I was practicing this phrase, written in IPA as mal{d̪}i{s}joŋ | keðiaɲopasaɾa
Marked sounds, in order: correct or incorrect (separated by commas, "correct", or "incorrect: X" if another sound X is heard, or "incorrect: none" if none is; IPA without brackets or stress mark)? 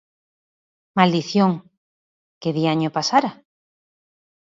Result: correct, incorrect: θ